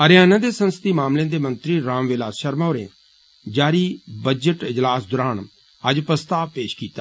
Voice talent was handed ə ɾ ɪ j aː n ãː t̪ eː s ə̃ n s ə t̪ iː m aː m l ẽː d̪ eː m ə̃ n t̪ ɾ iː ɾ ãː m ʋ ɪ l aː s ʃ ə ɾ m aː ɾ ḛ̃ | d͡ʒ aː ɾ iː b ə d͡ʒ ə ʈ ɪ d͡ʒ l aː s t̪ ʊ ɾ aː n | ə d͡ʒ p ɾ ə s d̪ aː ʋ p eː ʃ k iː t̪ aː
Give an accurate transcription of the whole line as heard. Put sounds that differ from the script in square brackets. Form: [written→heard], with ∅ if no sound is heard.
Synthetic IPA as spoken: ə ɾ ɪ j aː n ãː [t̪→d̪] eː s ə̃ n s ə t̪ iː m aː m l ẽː d̪ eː m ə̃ n t̪ ɾ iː ɾ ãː m ʋ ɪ l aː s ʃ ə ɾ m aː ɾ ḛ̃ | d͡ʒ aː ɾ iː b ə d͡ʒ ə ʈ ɪ d͡ʒ l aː s [t̪→d̪] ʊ ɾ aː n | ə d͡ʒ p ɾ ə s [d̪→t̪] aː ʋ p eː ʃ k iː t̪ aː